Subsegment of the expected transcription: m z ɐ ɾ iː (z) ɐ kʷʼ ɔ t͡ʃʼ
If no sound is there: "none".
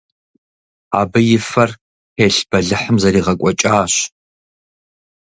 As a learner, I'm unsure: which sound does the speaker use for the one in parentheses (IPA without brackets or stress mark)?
ʁ